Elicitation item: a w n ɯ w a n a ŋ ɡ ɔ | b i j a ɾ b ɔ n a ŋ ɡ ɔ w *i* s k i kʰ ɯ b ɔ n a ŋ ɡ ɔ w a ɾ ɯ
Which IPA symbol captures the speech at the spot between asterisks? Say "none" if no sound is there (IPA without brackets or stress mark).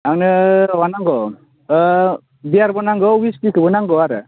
i